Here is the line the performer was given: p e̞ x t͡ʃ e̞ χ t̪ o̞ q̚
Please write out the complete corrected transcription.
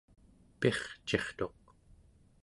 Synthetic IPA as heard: p e̞ χ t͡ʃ e̞ χ t̪ o̞ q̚